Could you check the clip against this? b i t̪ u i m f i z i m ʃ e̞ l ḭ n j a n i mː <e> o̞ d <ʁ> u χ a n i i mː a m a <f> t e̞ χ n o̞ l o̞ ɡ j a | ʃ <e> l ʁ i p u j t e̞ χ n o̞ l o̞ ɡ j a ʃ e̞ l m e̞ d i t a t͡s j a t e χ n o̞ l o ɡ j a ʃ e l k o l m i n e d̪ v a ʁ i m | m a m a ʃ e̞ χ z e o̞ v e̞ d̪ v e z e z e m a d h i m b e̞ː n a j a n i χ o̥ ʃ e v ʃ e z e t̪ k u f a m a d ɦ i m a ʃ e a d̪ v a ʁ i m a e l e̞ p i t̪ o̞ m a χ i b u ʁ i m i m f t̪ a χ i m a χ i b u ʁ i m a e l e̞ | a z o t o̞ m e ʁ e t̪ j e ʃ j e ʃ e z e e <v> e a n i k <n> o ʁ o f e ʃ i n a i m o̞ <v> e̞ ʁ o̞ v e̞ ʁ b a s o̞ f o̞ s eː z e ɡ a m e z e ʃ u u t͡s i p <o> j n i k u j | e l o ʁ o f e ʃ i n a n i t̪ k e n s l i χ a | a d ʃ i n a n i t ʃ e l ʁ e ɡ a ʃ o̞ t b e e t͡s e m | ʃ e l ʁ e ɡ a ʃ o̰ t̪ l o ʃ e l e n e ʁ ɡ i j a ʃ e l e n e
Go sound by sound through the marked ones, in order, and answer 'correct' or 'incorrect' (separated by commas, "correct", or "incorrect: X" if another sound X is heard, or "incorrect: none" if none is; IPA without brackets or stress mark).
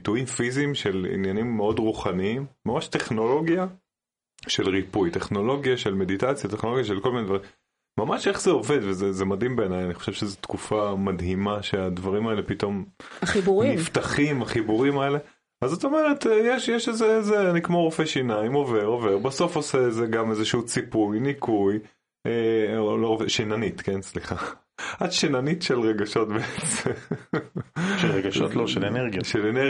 correct, correct, incorrect: ʃ, correct, incorrect: z, incorrect: m, correct, incorrect: u